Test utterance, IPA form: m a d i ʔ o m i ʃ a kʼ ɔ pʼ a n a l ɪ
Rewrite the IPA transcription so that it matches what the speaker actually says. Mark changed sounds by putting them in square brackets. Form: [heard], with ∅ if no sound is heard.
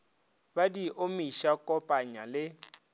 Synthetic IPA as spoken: [b] a d i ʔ o m i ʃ a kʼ ɔ pʼ a [ɲ] a l ɪ